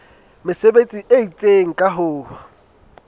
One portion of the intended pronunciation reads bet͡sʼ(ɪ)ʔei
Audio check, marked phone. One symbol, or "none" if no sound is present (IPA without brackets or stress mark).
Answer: i